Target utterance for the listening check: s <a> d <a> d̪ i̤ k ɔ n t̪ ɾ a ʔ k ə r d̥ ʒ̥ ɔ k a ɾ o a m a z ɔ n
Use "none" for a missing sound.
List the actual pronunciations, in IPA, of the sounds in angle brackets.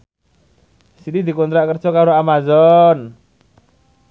i, i

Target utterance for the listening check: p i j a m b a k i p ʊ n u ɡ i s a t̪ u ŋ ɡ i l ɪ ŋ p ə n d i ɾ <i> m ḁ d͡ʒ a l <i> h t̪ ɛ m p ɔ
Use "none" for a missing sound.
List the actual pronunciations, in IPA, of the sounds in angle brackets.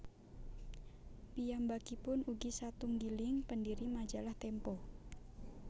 i, a

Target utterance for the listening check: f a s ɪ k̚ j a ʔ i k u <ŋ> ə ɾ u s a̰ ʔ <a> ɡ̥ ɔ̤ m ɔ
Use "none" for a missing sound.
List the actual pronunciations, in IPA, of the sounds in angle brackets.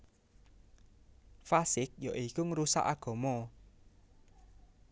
ŋ, a

